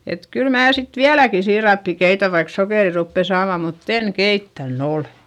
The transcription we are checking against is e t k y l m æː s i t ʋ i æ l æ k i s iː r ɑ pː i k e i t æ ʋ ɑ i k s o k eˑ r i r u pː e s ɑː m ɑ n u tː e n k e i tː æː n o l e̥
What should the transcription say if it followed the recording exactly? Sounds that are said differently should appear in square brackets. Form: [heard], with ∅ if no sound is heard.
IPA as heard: e t k y l m æː s i t ʋ i æ l æ k i s iː r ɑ pː i k e i t æ ʋ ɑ i k s o k eˑ r i r u pː e s ɑː m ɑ [m] u tː e n k e i tː [æ] n o l e̥